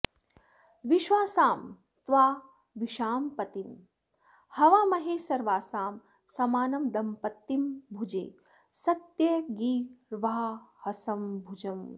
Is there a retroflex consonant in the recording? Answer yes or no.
no